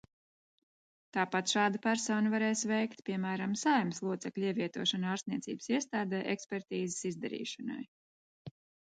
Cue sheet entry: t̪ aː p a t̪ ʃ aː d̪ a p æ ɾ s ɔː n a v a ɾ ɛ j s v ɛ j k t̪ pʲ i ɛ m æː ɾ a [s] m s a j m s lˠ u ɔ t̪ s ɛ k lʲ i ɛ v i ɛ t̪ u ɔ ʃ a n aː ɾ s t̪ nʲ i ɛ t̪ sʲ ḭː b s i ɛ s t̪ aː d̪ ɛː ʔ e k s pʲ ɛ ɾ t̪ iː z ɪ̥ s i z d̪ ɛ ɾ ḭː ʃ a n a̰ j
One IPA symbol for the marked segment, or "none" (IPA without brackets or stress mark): none